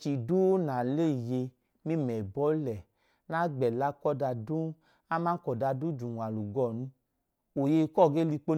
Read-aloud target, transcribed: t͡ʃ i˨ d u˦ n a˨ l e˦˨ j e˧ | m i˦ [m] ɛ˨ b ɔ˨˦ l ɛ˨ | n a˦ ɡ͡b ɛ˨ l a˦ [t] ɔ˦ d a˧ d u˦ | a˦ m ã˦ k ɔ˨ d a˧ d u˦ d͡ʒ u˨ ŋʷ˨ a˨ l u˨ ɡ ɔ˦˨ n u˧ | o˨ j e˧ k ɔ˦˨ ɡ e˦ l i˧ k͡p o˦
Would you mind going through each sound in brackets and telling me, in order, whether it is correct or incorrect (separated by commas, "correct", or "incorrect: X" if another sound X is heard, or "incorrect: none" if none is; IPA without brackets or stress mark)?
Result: correct, incorrect: k